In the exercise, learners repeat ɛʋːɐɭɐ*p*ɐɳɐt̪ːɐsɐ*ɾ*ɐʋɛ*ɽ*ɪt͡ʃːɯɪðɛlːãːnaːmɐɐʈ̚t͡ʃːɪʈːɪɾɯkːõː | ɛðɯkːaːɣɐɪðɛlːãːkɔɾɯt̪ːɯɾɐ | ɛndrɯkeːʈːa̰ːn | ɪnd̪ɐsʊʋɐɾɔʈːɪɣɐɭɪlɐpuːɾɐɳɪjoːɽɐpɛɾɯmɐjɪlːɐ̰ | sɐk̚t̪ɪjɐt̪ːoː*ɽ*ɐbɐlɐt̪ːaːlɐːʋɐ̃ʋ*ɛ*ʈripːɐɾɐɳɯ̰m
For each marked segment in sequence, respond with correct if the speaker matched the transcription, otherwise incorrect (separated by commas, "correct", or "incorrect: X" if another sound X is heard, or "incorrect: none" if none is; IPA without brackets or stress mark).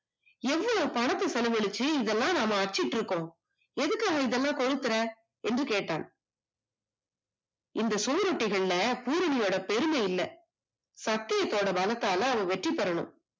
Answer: correct, incorrect: l, incorrect: ɭ, correct, correct